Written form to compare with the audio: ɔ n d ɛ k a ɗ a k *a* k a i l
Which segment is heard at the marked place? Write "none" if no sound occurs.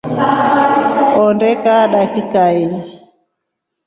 i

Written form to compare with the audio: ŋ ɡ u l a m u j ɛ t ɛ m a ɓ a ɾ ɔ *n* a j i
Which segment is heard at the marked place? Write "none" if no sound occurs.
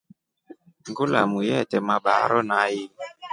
n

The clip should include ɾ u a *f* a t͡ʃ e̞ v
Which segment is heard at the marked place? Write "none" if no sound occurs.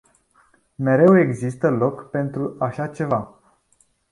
ʃ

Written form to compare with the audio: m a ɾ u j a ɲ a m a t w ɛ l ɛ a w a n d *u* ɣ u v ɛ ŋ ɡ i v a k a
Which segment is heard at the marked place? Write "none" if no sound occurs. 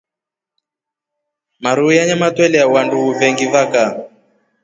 u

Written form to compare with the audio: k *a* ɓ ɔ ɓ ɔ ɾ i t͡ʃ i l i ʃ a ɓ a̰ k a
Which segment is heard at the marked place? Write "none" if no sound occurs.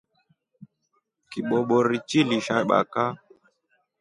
i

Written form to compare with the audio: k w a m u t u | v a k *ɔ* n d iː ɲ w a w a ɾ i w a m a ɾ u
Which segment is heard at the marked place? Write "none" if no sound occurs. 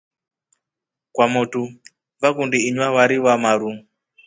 u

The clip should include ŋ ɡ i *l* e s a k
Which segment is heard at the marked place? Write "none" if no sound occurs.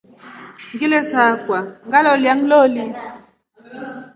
l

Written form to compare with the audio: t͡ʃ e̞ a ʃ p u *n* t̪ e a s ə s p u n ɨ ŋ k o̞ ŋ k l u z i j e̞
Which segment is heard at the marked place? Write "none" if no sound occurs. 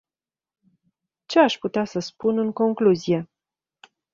none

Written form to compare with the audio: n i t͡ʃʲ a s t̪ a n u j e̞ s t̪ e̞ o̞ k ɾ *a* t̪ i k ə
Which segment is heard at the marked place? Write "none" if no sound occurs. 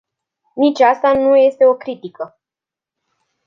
i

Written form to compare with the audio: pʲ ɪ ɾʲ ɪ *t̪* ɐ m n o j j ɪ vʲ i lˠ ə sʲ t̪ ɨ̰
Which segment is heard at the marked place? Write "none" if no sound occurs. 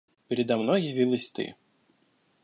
d̪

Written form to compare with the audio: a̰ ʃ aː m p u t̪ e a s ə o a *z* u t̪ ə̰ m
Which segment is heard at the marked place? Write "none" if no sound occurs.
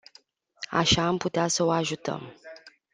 ʒ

